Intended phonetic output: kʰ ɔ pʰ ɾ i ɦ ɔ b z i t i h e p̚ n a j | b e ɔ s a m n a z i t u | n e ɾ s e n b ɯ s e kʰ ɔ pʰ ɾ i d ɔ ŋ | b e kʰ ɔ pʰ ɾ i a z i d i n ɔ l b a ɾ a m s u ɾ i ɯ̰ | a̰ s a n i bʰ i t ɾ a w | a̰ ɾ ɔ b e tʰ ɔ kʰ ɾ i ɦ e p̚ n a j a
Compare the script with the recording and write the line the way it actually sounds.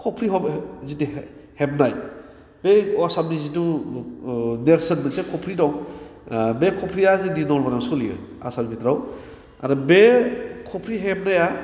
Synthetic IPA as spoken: kʰ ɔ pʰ ɾ i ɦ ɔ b z i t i h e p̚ n a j | b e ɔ s a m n i z i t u | n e ɾ s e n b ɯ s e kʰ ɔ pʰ ɾ i d ɔ ŋ | b e kʰ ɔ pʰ ɾ i a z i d i n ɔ l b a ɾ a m s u l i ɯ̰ | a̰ s a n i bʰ i t ɾ a w | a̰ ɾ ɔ b e kʰ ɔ pʰ ɾ i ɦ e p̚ n a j a